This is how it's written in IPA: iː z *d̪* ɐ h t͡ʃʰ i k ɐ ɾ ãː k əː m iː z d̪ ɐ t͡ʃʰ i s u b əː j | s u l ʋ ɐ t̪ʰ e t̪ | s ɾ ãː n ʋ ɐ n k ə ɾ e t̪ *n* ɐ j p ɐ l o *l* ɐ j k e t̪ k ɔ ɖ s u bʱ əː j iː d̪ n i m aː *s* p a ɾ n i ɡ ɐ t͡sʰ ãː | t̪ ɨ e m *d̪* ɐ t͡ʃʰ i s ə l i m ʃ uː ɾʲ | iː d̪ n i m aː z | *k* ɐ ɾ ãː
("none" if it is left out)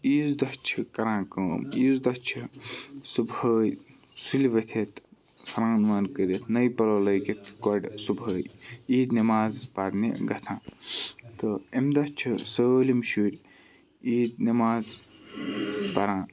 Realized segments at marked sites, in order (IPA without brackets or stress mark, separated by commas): d̪, n, l, z, d̪, p